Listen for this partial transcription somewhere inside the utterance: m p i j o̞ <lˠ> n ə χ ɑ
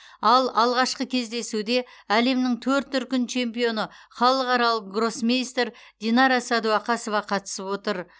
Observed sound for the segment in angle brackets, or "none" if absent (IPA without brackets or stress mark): none